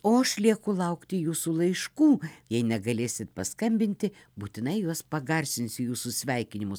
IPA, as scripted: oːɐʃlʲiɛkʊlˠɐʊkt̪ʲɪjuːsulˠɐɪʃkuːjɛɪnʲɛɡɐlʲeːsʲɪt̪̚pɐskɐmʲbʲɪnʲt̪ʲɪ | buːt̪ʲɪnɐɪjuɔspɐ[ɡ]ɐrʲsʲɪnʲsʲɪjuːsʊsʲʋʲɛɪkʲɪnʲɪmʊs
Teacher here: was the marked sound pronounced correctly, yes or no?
yes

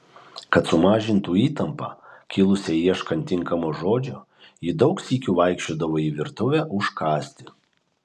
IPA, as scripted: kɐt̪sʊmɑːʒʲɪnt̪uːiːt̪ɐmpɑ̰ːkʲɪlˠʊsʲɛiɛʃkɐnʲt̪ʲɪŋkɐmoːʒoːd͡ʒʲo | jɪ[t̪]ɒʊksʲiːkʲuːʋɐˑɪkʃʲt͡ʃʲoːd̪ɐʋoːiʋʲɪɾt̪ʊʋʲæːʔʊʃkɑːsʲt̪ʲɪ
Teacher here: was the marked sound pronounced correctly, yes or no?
no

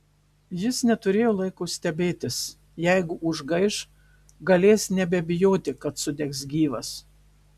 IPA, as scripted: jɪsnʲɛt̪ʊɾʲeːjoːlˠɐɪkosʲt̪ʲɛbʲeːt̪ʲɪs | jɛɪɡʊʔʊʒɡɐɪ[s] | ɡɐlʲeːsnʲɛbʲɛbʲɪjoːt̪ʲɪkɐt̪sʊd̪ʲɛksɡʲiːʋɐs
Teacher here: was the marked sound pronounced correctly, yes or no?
no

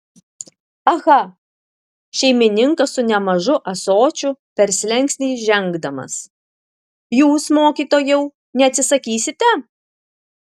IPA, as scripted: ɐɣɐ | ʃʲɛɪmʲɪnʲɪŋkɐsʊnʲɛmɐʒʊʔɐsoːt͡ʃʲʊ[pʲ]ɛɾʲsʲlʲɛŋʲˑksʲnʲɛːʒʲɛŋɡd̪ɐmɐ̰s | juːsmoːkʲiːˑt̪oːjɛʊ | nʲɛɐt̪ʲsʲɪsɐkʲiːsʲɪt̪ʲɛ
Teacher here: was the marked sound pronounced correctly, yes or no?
yes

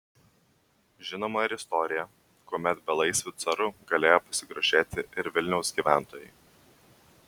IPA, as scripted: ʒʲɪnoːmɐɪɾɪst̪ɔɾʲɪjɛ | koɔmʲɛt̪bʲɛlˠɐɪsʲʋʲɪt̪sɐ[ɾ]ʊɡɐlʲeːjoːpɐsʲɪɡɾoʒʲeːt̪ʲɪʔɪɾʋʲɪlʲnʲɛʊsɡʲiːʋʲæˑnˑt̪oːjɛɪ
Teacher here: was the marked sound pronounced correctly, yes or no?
yes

